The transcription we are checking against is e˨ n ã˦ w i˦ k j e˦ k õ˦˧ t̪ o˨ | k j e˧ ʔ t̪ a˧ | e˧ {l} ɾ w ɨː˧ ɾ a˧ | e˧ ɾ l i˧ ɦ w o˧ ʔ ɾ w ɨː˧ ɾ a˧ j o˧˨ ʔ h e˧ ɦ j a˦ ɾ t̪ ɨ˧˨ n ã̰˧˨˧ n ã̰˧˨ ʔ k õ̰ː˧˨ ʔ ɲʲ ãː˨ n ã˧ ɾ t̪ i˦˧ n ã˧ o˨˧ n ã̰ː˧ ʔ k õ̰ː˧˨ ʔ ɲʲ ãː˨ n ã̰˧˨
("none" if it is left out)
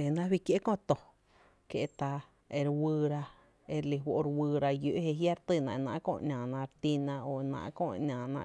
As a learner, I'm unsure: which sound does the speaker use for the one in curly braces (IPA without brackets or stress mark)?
none